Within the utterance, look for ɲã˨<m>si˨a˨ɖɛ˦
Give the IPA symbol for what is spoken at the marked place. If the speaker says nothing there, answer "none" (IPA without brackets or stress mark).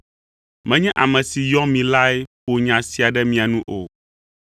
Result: none